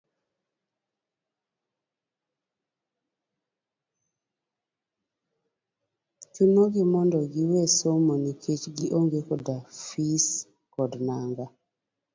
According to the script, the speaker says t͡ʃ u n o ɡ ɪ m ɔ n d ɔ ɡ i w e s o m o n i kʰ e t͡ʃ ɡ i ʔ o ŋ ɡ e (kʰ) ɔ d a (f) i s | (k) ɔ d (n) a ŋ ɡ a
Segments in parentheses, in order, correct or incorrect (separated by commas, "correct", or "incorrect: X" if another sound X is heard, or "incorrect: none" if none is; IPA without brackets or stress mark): incorrect: k, correct, correct, correct